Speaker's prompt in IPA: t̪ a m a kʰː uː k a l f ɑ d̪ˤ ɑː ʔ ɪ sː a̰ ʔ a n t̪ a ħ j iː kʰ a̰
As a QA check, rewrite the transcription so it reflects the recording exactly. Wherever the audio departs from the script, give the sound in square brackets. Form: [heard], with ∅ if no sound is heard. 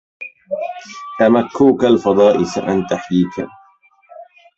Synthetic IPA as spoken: t̪ a m a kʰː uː k a l f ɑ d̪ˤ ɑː ʔ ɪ [s] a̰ ʔ a n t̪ a ħ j iː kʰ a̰